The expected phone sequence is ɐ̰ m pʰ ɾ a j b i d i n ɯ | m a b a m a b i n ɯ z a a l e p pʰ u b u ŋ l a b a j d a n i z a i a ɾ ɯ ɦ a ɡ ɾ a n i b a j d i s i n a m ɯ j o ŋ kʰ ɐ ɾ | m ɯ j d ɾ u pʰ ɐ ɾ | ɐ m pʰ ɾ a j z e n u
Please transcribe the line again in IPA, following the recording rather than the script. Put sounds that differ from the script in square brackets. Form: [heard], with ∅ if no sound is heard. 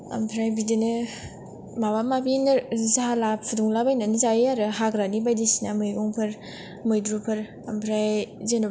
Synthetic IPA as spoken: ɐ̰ m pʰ ɾ a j b i d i n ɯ | m a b a m a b i n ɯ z a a l [a] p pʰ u [d] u ŋ l a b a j [n] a n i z a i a ɾ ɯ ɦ a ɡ ɾ a n i b a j d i s i n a m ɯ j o ŋ [pʰ] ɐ ɾ | m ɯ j d ɾ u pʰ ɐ ɾ | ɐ m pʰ ɾ a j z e n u